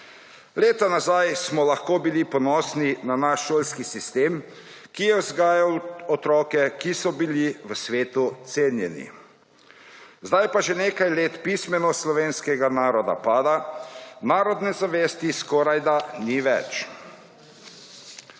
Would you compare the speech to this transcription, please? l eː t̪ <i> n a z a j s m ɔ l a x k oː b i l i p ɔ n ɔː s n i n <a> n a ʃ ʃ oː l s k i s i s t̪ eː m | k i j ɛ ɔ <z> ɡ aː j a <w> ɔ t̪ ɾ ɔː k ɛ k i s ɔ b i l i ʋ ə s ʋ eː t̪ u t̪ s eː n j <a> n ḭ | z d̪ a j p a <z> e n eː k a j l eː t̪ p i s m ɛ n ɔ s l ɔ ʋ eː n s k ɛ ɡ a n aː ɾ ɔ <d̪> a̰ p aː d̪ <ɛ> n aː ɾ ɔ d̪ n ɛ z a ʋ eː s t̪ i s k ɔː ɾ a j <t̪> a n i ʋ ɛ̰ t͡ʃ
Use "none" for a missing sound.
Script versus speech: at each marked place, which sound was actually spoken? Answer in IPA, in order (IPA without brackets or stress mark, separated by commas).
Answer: a, a, z, w, ɛ, ʒ, d̪, a, d̪